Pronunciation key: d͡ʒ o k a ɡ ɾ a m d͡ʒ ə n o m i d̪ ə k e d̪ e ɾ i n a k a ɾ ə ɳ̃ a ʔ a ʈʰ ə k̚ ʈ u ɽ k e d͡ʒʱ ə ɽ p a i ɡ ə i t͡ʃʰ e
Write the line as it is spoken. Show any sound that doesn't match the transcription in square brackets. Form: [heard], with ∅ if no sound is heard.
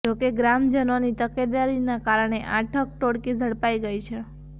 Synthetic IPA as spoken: d͡ʒ o k [e] ɡ ɾ a m d͡ʒ ə n o [n] i [t̪] ə k e d̪ [a] ɾ i n a k a ɾ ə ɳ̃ [e] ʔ a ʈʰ ə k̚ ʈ [o] ɽ k [i] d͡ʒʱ ə ɽ p a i ɡ ə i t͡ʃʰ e